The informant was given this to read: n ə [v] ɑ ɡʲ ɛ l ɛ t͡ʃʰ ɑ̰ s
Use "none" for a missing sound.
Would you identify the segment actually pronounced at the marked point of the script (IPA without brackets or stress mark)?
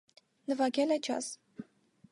v